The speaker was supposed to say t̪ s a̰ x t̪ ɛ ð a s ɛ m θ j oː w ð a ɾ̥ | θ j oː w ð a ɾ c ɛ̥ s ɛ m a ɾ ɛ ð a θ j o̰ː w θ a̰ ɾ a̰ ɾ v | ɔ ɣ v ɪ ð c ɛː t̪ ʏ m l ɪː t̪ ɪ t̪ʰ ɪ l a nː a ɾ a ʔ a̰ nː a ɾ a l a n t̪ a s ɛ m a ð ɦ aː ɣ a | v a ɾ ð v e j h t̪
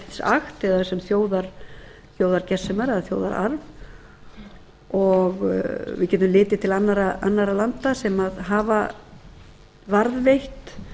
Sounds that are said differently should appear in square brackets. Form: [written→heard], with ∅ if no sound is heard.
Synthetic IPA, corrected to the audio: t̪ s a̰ x t̪ ɛ ð a s ɛ m θ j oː w ð a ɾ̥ | θ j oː w ð a ɾ c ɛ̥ s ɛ m a ɾ ɛ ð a θ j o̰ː w [θ→ð] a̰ ɾ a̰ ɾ v | ɔ ɣ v ɪ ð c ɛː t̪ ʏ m l ɪː t̪ ɪ t̪ʰ ɪ l a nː a ɾ a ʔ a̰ nː a ɾ a l a n t̪ a s ɛ m a ð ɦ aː [ɣ→v] a | v a ɾ ð v e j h t̪

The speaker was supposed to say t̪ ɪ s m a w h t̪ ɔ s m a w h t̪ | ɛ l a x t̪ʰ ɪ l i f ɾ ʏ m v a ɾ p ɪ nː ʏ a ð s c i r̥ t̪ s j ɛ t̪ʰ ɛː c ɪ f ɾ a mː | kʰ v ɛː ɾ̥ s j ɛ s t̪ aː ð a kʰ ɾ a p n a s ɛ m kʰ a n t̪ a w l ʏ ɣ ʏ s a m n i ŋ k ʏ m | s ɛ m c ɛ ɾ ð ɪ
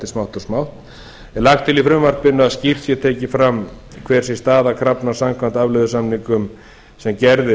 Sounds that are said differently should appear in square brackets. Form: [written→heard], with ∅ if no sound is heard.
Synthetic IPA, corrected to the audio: t̪ ɪ s m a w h t̪ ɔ s m a w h t̪ | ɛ l a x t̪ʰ ɪ l i f ɾ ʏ m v a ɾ p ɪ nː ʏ a ð s c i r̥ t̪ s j ɛ t̪ʰ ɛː c ɪ f ɾ a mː | kʰ v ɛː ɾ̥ s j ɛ s t̪ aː ð a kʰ ɾ a p n a s [ɛ→a] m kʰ a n t̪ a [w→v] l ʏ [ɣ→ð] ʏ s a m n i ŋ k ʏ m | s ɛ m c ɛ ɾ ð ɪ

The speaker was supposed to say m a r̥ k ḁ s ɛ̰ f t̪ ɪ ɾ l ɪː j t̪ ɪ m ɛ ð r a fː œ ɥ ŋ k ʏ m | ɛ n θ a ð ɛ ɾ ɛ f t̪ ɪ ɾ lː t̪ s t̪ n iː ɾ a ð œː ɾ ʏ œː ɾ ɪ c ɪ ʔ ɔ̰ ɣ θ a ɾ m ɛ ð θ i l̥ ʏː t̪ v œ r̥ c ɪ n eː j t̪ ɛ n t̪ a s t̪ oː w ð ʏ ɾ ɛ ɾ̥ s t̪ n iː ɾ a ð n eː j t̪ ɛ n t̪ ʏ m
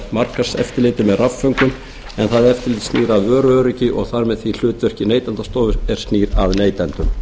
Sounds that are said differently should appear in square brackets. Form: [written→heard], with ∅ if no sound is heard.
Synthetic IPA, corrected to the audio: m a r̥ k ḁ s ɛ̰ f t̪ ɪ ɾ l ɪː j t̪ ɪ m ɛ ð r a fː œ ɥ ŋ k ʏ m | ɛ n θ a ð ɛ ɾ ɛ f t̪ ɪ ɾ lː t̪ s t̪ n iː ɾ a ð œː ɾ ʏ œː ɾ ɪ c ɪ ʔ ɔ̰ ɣ θ a ɾ m ɛ ð θ i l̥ ʏː t̪ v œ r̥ c ɪ n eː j t̪ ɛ n t̪ a s t̪ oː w [ð→v] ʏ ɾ ɛ ɾ̥ s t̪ n iː ɾ a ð n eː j t̪ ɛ n t̪ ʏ m

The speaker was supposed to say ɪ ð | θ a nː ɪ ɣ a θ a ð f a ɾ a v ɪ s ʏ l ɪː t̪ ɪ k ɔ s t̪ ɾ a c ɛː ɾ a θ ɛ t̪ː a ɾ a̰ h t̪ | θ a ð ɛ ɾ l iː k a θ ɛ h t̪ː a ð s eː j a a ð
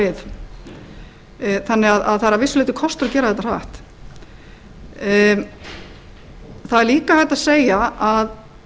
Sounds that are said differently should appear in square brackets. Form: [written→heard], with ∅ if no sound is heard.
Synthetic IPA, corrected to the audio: ɪ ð | θ a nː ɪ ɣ a [θ→ð] a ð [f→θ] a ɾ a v ɪ s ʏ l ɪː t̪ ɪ [k→kʰ] ɔ s t̪ ɾ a c ɛː ɾ a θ ɛ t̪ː a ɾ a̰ h t̪ | θ a ð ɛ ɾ l iː k a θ ɛ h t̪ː a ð s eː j a a ð

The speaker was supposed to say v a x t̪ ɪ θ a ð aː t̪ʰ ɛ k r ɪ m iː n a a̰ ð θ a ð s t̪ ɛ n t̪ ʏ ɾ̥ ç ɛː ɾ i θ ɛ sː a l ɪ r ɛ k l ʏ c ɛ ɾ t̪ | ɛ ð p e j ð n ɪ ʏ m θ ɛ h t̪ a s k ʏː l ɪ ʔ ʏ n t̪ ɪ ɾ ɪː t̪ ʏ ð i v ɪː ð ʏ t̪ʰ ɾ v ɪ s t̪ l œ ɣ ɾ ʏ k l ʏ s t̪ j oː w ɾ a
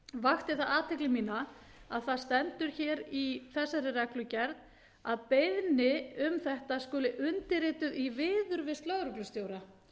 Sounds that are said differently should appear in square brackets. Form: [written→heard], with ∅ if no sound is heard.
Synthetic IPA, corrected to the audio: v a x t̪ ɪ θ a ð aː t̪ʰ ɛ k [r→l] ɪ m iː n a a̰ ð θ a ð s t̪ ɛ n t̪ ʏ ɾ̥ ç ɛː ɾ i θ ɛ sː a [l→ɾ] ɪ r ɛ k l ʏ c ɛ ɾ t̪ | [ɛ→a] ð p e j ð n ɪ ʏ m θ ɛ h t̪ a s k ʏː l ɪ ʔ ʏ n t̪ ɪ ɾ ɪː t̪ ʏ ð i v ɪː ð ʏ [t̪ʰ→∅] ɾ v ɪ s t̪ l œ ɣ ɾ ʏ k l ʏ s t̪ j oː w ɾ a

